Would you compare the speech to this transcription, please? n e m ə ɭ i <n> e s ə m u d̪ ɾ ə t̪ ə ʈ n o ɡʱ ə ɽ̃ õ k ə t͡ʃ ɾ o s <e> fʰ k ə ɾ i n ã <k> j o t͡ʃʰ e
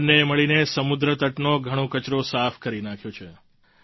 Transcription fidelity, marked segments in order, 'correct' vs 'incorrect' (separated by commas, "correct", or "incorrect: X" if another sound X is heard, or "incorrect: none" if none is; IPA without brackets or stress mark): correct, incorrect: a, incorrect: kʰ